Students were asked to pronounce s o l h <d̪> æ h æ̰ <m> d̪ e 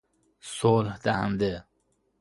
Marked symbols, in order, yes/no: yes, no

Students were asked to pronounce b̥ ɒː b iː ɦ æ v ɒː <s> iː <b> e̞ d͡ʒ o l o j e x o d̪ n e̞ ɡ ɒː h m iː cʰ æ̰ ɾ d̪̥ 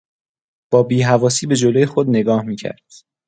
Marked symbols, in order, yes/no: yes, yes

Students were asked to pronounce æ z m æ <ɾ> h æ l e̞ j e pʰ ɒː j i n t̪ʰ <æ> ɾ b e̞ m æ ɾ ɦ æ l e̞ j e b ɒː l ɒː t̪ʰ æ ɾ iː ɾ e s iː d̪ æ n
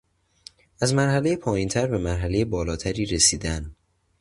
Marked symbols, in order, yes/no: yes, yes

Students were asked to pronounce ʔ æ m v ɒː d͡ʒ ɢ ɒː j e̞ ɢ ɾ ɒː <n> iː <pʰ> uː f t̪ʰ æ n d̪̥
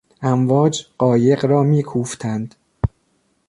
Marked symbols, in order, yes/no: no, no

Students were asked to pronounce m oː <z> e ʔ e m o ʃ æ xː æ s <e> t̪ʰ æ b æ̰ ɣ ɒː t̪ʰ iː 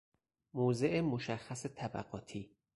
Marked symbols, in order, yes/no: yes, yes

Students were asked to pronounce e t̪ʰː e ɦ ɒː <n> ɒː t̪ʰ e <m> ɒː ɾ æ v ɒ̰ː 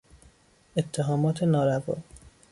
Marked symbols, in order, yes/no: no, no

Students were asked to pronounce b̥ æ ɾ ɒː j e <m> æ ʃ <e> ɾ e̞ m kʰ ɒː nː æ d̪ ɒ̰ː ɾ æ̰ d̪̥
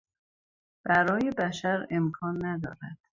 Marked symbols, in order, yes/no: no, no

